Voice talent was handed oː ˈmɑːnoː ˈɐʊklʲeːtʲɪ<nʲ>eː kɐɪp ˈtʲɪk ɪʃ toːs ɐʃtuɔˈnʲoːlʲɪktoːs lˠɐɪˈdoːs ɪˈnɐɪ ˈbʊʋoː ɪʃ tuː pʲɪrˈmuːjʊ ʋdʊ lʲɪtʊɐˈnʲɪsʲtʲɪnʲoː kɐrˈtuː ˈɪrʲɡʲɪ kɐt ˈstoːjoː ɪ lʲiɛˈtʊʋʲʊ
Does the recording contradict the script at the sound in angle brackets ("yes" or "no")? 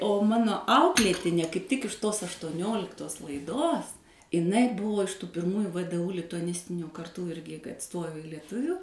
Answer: no